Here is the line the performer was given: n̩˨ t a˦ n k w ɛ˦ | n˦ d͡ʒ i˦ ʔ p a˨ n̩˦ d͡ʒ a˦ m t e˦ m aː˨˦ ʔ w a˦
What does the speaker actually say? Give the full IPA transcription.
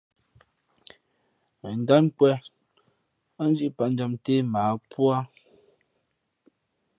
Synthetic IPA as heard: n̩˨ d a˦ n k w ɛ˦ | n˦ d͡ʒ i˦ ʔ p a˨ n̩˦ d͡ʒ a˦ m t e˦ m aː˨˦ p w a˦

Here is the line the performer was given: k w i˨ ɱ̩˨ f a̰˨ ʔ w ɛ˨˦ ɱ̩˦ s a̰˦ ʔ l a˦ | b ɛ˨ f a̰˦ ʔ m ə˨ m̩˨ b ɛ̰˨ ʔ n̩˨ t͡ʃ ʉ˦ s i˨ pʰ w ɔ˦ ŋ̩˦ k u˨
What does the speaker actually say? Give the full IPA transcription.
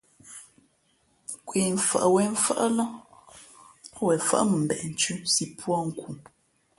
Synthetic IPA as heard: k w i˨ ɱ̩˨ f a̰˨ ʔ w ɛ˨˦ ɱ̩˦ f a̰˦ ʔ l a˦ | w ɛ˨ f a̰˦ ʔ m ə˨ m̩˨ b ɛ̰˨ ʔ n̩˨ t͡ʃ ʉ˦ s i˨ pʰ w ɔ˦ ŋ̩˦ k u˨

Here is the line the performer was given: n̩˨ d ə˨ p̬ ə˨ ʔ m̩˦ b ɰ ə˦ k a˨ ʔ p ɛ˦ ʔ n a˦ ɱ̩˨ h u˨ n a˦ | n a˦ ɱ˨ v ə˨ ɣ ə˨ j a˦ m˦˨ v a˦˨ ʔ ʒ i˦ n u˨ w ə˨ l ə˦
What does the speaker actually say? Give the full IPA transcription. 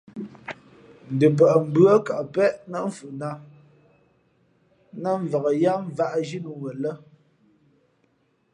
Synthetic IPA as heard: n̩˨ d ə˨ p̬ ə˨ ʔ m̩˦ b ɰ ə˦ k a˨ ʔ p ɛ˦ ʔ n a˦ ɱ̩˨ f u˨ n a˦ | n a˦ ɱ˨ v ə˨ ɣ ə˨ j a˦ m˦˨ v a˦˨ ʔ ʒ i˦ n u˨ w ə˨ l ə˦

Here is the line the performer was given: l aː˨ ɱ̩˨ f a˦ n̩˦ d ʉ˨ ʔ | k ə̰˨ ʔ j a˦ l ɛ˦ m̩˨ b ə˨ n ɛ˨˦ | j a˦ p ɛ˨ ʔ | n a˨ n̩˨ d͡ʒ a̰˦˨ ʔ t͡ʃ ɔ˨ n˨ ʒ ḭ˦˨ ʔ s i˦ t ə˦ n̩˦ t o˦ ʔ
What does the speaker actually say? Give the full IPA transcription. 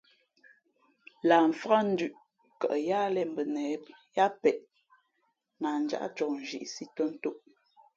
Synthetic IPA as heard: l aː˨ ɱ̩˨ f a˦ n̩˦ d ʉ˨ ʔ | k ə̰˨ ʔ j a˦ l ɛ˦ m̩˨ b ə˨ n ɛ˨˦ | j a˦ p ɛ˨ ʔ | n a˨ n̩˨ d͡ʒ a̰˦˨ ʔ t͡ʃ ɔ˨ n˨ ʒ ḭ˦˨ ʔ s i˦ t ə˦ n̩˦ t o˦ ʔ

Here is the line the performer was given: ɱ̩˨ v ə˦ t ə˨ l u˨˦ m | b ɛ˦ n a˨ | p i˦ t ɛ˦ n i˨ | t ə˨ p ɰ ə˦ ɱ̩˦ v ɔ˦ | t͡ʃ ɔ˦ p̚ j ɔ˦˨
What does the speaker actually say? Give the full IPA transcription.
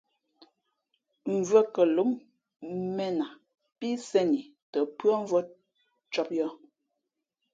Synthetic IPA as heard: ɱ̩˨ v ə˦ k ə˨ l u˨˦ m | m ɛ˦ n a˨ | p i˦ s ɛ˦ n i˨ | t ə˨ p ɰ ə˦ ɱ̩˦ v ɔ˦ | t͡ʃ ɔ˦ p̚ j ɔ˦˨

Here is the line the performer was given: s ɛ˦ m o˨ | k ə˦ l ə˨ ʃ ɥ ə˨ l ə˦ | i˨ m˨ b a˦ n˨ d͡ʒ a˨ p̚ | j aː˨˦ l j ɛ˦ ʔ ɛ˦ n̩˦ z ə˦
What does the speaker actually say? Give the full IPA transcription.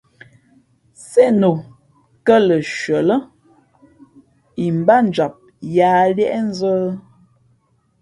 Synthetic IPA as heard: s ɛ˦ n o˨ | k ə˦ l ə˨ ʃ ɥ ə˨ l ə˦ | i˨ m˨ b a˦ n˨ d͡ʒ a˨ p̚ | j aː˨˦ l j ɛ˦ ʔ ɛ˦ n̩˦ z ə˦

